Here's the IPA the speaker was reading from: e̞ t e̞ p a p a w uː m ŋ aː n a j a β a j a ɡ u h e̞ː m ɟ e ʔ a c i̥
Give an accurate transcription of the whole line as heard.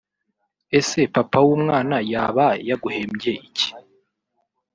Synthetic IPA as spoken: e̞ s e̞ p a p a w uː m ŋ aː n a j a β a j a ɡ u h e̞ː m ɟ e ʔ i c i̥